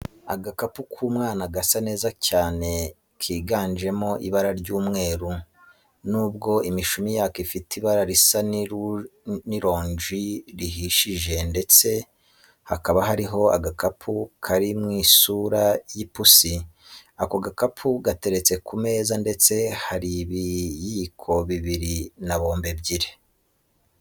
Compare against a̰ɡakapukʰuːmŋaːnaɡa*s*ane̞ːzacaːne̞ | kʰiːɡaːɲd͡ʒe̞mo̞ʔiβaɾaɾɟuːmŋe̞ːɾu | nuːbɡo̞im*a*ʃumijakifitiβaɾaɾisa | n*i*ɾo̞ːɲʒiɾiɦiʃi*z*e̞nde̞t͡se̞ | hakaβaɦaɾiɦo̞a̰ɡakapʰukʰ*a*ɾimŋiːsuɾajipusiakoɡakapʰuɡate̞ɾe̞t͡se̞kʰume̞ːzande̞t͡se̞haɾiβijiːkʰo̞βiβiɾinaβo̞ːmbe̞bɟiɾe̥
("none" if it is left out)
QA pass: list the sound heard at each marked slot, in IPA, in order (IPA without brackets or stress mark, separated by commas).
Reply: s, i, i, ʒ, a